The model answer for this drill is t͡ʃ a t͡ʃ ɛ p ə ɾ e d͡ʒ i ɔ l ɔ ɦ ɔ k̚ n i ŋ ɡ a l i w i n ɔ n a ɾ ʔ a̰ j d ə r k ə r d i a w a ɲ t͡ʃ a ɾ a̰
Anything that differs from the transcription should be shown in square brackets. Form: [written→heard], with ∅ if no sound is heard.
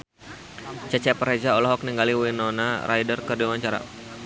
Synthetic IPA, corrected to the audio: t͡ʃ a t͡ʃ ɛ p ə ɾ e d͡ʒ [i→a] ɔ l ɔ ɦ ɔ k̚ n i ŋ ɡ a l i w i n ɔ n a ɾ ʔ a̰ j d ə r k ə r d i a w a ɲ t͡ʃ a ɾ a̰